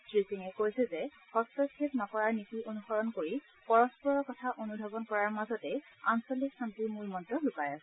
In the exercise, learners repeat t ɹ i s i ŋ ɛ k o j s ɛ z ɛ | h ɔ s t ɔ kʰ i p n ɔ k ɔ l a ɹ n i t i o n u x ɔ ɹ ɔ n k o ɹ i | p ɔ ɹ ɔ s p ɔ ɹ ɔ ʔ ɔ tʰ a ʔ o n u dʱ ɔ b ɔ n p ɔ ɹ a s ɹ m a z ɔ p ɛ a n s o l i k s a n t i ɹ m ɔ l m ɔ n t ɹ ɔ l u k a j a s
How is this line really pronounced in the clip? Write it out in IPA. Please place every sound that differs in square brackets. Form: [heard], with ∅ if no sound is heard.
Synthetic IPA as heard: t ɹ i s i ŋ ɛ k o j s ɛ z ɛ | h ɔ s t ɔ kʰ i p n ɔ k ɔ [ɹ] a ɹ n i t i o n u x ɔ ɹ ɔ n k o ɹ i | p ɔ ɹ ɔ s p ɔ ɹ ɔ [k] ɔ tʰ a ʔ o n u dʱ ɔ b ɔ n [k] ɔ ɹ a [∅] ɹ m a z ɔ [t] ɛ a n s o l i k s a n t i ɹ m [u] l m ɔ n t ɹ ɔ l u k a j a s